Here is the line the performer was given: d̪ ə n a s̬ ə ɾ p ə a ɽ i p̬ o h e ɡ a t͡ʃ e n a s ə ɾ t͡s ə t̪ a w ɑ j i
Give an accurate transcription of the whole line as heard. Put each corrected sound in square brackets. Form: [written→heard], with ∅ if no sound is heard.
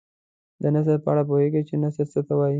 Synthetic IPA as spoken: d̪ ə n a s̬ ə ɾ p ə a ɽ [i→a] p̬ o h e ɡ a t͡ʃ e n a s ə ɾ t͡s ə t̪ a w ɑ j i

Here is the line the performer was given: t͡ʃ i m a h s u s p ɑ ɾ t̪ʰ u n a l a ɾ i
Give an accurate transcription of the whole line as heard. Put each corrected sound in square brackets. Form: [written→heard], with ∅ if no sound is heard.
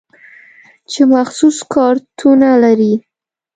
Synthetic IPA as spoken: t͡ʃ [i→e] m a [h→x] s u s [p→k] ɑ ɾ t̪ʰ u n a l a ɾ i

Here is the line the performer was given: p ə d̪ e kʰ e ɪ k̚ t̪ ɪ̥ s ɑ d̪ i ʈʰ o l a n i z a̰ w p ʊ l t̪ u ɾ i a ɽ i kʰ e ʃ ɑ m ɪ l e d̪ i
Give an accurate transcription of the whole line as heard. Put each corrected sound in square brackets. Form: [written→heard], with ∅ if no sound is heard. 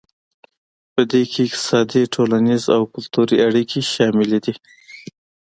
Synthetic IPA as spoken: p ə d̪ e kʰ e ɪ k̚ t̪ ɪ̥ s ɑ d̪ i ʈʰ o l a n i z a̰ w [p→k] ʊ l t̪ u ɾ i a ɽ i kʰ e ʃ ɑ m ɪ l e d̪ i

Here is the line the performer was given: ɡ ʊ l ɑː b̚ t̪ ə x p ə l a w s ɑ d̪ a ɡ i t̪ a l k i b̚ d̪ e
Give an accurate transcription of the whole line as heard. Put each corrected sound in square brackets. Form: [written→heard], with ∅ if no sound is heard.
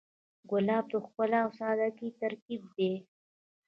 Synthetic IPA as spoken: ɡ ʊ l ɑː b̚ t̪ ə x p ə l a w s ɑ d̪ a [ɡ→k] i t̪ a [l→ɾ] k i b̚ d̪ e

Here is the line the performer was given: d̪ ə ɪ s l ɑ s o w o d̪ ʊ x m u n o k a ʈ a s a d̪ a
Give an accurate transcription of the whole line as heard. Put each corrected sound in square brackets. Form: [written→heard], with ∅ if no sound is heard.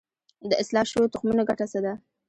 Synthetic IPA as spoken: d̪ ə ɪ s l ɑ [s→ʃ] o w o [d̪→t̪] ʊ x m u n o [k→ɡ] a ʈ a s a d̪ a

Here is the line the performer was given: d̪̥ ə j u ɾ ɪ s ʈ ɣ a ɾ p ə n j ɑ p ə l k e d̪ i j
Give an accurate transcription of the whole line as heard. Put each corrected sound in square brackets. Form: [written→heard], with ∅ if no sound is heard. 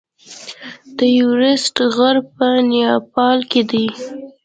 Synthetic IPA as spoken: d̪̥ ə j u ɾ ɪ s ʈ ɣ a ɾ p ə n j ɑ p [ə→ɑ] l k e d̪ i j

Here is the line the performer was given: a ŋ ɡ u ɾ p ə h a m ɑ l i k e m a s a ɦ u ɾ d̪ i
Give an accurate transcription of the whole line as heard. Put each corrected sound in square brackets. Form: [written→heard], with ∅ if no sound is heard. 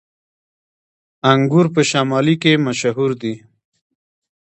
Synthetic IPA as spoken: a ŋ ɡ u ɾ p ə [h→ʃ] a m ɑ l i k e m a [s→ʃ] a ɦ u ɾ d̪ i

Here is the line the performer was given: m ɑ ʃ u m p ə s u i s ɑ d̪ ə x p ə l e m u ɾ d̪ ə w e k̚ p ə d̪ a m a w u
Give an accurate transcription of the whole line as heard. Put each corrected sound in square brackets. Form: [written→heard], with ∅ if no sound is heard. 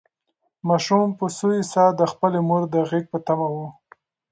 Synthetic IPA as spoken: m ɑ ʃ u m p ə s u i s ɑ d̪ ə x p ə l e m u ɾ d̪ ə [w→ɣ] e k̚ p ə [d̪→t̪] a m a w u

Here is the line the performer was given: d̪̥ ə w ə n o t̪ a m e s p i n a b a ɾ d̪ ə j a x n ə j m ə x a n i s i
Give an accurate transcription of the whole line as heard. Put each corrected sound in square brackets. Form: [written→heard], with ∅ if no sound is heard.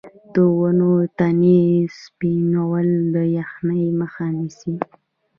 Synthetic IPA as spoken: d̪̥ ə w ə n o t̪ a [m→n] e s p i n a [b→w] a [ɾ→l] d̪ ə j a x n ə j m ə x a n i s i

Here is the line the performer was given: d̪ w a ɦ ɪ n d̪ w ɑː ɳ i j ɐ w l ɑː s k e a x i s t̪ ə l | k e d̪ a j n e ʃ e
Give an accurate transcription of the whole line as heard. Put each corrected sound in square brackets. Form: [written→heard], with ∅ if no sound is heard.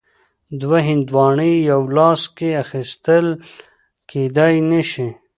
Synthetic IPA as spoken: d̪ w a ɦ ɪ n d̪ w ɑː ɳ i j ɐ w l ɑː s k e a x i s t̪ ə l | k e d̪ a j n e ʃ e

